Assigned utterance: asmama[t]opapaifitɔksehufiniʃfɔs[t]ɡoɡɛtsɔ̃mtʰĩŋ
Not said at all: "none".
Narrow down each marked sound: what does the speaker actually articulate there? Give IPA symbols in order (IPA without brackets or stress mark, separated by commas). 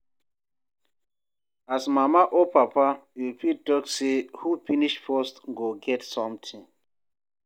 ʔ, t